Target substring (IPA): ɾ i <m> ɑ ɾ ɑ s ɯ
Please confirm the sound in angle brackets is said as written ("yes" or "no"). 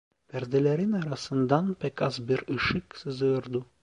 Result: no